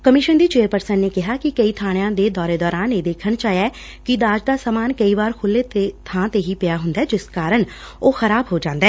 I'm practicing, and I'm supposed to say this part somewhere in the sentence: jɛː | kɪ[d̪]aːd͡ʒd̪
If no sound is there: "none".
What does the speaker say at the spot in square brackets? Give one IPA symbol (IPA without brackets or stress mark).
d̪